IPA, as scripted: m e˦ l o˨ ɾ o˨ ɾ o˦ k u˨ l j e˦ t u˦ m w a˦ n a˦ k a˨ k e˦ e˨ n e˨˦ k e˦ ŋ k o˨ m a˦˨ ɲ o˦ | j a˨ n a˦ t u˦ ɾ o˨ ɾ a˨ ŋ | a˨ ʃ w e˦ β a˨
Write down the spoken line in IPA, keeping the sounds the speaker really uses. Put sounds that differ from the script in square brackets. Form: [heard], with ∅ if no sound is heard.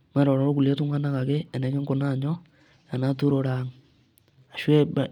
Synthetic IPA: m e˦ [ɾ] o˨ ɾ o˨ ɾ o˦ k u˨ l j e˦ t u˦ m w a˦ n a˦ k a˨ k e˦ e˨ n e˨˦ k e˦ ŋ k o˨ [n] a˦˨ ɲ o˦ | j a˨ n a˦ t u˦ ɾ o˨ ɾ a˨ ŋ | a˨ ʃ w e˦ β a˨